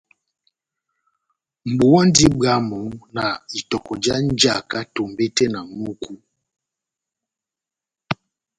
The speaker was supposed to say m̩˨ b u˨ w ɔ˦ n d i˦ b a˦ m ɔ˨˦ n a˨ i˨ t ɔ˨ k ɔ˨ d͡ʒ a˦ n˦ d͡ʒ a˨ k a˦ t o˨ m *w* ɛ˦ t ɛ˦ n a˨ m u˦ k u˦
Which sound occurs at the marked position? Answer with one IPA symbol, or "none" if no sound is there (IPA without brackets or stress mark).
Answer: b